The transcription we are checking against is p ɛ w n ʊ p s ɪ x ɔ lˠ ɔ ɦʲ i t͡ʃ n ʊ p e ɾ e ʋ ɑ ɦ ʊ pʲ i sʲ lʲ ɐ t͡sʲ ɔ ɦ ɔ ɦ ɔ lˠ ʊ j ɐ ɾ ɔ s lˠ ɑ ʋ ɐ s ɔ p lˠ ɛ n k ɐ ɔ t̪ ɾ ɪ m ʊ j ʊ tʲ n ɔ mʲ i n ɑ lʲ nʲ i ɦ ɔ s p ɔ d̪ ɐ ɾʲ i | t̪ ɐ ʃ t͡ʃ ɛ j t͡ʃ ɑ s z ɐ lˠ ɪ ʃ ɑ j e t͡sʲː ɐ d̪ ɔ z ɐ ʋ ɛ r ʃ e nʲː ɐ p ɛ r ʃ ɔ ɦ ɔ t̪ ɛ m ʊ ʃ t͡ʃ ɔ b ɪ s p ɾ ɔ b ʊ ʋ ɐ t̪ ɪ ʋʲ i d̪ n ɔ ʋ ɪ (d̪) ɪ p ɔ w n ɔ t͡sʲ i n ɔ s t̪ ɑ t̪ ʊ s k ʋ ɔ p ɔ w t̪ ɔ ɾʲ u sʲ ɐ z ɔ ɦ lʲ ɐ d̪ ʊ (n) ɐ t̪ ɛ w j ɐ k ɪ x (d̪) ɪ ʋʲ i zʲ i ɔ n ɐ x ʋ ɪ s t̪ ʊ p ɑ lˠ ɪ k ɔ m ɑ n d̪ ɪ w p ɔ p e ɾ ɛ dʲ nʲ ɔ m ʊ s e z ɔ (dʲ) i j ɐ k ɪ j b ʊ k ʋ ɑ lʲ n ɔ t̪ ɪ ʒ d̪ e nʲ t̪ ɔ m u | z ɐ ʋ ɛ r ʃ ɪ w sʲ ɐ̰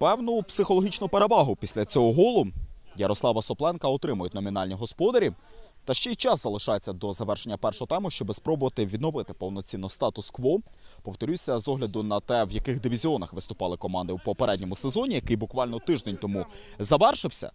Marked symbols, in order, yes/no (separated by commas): no, yes, yes, no